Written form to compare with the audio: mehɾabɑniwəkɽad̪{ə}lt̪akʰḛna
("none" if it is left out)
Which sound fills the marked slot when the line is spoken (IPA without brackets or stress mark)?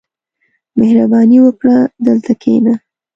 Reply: ə